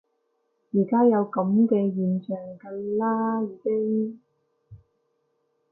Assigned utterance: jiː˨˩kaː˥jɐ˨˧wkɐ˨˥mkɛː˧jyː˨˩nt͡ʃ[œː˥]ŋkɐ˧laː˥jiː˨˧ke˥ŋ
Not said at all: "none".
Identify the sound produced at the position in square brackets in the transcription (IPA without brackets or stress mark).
œː˨˩